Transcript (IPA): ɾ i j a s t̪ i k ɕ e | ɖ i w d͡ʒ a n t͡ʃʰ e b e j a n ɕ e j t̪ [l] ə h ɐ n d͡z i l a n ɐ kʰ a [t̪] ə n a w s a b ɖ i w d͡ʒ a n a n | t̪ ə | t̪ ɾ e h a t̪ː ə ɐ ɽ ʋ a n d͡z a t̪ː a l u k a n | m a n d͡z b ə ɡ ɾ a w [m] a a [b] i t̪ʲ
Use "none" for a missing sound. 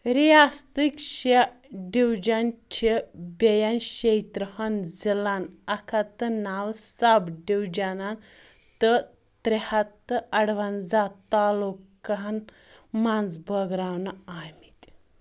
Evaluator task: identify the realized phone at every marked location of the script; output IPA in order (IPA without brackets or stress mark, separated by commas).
ɾ, t̪, n, m